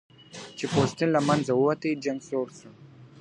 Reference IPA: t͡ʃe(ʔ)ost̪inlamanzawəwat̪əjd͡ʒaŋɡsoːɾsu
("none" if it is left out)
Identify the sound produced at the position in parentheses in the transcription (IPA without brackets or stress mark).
p